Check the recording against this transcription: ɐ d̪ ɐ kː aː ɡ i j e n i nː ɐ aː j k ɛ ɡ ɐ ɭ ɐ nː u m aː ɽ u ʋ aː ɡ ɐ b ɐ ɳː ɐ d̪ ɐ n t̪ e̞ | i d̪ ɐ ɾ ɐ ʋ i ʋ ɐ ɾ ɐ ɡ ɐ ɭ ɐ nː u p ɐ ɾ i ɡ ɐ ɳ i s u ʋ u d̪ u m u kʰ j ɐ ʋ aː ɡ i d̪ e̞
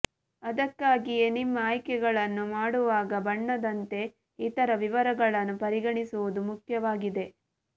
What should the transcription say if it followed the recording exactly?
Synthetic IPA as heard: ɐ d̪ ɐ kː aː ɡ i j e n i mː ɐ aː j k ɛ ɡ ɐ ɭ ɐ nː u m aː ɽ u ʋ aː ɡ ɐ b ɐ ɳː ɐ d̪ ɐ n t̪ e̞ | i t̪ ɐ ɾ ɐ ʋ i ʋ ɐ ɾ ɐ ɡ ɐ ɭ ɐ nː u p ɐ ɾ i ɡ ɐ ɳ i s u ʋ u d̪ u m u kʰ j ɐ ʋ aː ɡ i d̪ e̞